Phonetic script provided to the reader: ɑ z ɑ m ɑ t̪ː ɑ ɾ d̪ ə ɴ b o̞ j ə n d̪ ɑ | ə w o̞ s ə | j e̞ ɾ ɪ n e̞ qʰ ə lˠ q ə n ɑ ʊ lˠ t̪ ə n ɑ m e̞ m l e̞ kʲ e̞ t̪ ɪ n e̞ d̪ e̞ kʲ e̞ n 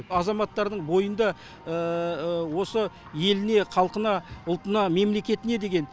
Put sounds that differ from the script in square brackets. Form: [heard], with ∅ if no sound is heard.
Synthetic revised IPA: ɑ z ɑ m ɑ t̪ː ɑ ɾ d̪ ə ɴ b o̞ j ə n d̪ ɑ | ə w o̞ s ə | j e̞ [l] ɪ n e̞ qʰ [ɑ] lˠ q ə n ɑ ʊ lˠ t̪ ə n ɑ m e̞ m l e̞ kʲ e̞ t̪ ɪ n e̞ d̪ e̞ [ɡʲ] e̞ n